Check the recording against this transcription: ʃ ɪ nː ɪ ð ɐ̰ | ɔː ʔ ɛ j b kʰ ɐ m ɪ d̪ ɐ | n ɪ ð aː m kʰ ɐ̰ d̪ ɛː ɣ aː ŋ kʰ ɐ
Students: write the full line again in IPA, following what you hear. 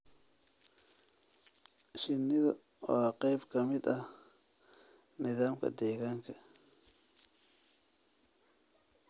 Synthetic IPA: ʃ ɪ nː ɪ ð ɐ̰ | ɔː q ɛ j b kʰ ɐ m ɪ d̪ ɐ | n ɪ ð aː m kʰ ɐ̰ d̪ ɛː ɣ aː ŋ kʰ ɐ